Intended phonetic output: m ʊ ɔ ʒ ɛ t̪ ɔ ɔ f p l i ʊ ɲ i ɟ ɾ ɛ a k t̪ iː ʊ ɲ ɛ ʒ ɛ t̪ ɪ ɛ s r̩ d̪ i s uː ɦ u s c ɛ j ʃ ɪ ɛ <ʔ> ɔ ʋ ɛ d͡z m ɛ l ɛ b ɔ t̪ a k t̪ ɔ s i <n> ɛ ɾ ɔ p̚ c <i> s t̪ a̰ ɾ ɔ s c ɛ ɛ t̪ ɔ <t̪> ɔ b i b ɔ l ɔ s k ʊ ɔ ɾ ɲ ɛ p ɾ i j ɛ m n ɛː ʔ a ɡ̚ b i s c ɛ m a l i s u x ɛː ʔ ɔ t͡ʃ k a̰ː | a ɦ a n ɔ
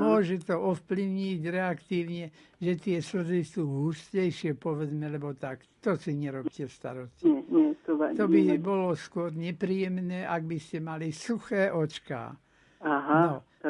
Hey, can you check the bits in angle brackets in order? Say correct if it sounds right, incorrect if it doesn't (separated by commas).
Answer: incorrect, incorrect, incorrect, correct